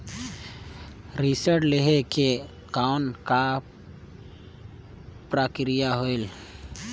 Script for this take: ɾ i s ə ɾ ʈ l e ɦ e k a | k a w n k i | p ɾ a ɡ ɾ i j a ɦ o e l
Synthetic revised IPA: ɾ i s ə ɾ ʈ l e ɦ e k e | k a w n k a | p ɾ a k ɾ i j a ɦ o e l